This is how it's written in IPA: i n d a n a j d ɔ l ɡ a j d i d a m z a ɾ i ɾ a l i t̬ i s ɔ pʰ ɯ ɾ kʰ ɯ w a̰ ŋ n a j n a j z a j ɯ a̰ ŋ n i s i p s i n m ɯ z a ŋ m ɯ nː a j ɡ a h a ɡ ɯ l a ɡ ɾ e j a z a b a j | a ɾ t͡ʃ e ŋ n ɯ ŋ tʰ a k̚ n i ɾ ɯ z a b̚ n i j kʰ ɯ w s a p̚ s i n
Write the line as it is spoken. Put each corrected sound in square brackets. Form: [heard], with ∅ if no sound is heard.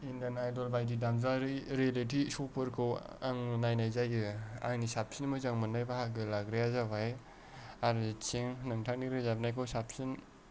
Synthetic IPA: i n d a n a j d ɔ l [b] a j d i d a m z a ɾ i ɾ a l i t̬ i s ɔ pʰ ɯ ɾ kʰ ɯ w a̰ ŋ n a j n a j z a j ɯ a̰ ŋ n i s [a] p s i n m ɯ z a ŋ m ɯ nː a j [b] a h a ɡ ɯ l a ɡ ɾ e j a z a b a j | a ɾ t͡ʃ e ŋ n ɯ ŋ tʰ a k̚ n i ɾ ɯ z a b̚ n [a] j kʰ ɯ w s a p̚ s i n